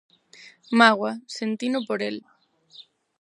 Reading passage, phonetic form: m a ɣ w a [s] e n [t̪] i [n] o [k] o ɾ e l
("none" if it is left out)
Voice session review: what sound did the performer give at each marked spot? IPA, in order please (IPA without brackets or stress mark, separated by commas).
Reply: s, t̪, n, p